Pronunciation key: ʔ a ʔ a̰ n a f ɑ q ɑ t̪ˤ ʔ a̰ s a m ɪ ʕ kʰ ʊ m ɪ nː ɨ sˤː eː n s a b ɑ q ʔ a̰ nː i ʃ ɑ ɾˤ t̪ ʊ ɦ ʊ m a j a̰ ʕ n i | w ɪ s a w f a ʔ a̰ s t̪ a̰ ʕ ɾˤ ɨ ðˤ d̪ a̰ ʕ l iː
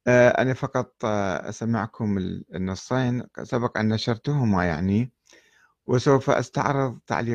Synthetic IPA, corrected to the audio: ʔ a ʔ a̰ n a f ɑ q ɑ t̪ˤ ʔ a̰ s a m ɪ ʕ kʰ ʊ m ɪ nː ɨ sˤː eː n s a b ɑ q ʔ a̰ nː a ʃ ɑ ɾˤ t̪ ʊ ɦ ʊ m a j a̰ ʕ n i | w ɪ s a w f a ʔ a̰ s t̪ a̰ ʕ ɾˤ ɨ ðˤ t̪ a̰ ʕ l iː